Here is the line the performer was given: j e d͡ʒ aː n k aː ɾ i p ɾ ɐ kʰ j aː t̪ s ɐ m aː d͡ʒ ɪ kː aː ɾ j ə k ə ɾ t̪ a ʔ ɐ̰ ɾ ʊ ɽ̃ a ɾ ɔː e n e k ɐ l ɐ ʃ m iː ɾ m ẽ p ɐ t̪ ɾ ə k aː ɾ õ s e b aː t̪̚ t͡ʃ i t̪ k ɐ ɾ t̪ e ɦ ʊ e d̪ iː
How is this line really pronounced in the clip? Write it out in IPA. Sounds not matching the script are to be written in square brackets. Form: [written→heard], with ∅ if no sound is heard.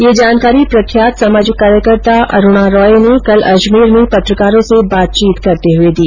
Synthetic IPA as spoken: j e d͡ʒ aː n k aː ɾ i p ɾ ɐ kʰ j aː t̪ s ɐ m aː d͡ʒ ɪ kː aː ɾ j ə k ə ɾ t̪ a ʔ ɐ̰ ɾ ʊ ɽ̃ a ɾ ɔː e n e k ɐ l ɐ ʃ m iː ɾ m ẽ p ɐ t̪ ɾ ə k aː ɾ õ s e b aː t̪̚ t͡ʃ [i→iː] t̪ k ɐ ɾ t̪ e ɦ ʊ e d̪ iː

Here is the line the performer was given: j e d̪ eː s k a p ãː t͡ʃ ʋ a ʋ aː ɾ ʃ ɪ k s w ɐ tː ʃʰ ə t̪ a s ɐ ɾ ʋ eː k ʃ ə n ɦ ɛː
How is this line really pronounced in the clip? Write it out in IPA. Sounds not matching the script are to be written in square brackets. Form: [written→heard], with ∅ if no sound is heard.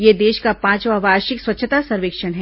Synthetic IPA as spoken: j e d̪ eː [s→ʃ] k a p ãː t͡ʃ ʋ a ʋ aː ɾ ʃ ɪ k s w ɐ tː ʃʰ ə t̪ a s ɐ ɾ ʋ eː k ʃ ə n ɦ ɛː

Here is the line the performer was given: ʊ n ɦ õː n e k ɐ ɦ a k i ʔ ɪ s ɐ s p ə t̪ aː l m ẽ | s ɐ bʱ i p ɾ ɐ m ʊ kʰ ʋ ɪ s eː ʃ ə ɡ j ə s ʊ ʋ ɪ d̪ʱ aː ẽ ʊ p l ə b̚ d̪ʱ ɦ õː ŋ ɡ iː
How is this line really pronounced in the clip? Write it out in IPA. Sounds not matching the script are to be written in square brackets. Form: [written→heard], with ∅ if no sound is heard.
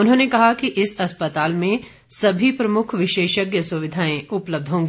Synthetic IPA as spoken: ʊ n ɦ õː n e k ɐ ɦ a k i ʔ ɪ s ɐ s p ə t̪ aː l m ẽ | s ɐ bʱ i p ɾ ɐ m ʊ kʰ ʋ ɪ [s→ʃ] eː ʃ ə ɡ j ə s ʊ ʋ ɪ d̪ʱ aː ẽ ʊ p l ə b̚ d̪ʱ ɦ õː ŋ ɡ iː

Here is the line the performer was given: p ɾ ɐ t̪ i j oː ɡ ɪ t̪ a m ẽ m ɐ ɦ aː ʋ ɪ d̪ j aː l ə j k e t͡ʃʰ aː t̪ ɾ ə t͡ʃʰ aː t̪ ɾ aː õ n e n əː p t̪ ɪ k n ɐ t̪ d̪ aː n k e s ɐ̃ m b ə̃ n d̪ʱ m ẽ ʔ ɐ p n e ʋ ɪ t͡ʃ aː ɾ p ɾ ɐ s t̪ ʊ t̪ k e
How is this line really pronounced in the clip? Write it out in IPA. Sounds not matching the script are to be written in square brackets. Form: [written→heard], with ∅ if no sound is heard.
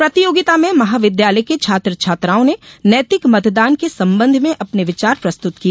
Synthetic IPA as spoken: p ɾ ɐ t̪ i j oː ɡ ɪ t̪ a m ẽ m ɐ ɦ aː ʋ ɪ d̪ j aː l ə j k e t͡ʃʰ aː t̪ ɾ ə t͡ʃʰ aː t̪ ɾ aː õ n e n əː [p→∅] t̪ ɪ k [n→m] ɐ t̪ d̪ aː n k e s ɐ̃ m b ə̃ n d̪ʱ m ẽ ʔ ɐ p n e ʋ ɪ t͡ʃ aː ɾ p ɾ ɐ s t̪ ʊ t̪ k [e→i]

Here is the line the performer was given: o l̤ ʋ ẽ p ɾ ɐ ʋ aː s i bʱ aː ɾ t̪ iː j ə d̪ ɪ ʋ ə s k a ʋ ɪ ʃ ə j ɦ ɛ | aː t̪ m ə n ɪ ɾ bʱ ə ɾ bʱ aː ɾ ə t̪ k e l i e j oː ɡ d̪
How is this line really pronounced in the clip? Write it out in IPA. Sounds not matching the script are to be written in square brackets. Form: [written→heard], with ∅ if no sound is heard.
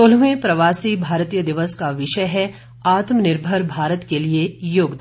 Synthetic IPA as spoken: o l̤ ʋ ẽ p ɾ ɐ ʋ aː s i bʱ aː ɾ t̪ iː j ə d̪ ɪ ʋ ə s k a ʋ ɪ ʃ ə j ɦ ɛ | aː t̪ m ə n ɪ ɾ bʱ ə ɾ bʱ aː ɾ ə t̪ k e l i e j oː ɡ d̪

